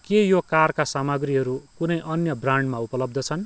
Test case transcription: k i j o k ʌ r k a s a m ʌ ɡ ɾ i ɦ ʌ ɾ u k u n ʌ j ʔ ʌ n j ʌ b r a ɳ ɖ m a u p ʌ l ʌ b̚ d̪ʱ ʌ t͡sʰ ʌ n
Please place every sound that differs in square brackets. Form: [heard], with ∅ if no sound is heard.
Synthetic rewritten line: k [e] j o k [a] r k a s a m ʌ ɡ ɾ i ɦ ʌ ɾ u k u n ʌ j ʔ ʌ n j ʌ b r a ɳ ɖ m a u p ʌ l ʌ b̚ d̪ʱ ʌ t͡sʰ ʌ n